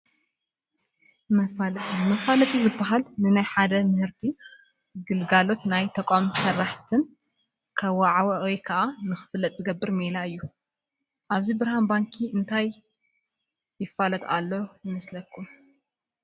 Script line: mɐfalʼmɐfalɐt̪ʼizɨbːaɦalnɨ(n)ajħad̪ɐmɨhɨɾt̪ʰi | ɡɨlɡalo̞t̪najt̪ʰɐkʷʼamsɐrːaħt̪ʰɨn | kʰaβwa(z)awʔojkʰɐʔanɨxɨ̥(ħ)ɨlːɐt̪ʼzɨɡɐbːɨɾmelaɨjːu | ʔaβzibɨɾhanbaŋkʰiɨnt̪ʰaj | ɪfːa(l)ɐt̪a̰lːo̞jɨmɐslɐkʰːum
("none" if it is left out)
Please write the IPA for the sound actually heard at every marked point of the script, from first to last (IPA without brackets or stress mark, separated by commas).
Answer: n, ʕ, f, l